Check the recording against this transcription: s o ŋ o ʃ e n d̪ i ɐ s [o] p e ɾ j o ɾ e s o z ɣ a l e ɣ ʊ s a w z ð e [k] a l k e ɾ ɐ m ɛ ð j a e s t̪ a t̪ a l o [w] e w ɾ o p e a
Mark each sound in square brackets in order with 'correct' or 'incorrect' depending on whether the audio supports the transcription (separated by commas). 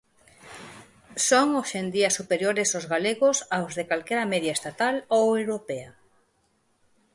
incorrect, correct, correct